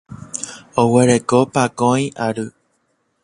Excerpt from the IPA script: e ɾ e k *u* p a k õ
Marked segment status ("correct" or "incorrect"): incorrect